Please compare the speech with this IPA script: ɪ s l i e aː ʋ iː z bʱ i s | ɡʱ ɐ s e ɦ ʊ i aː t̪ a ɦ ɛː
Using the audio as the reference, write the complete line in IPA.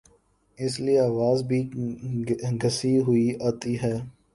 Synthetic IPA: ɪ s l i e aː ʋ aː z bʱ i | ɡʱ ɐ s i ɦ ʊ i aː t̪ i ɦ ɛː